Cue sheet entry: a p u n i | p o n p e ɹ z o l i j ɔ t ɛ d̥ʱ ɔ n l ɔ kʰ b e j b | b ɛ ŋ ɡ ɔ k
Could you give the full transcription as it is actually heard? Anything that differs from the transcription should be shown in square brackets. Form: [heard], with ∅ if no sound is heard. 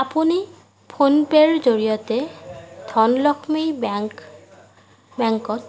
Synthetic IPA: a p u n i | [pʰ] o n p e ɹ z o [ɹ] i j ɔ t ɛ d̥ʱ ɔ n l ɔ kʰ [m] e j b | b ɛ ŋ [k] ɔ [t]